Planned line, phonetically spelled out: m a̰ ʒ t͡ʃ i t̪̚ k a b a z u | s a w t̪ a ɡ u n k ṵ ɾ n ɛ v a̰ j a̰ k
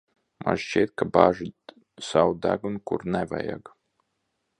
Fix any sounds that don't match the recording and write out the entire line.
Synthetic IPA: m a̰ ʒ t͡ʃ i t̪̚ k a b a ʒ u | s a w d̪ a ɡ u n k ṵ ɾ n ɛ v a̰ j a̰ ɡ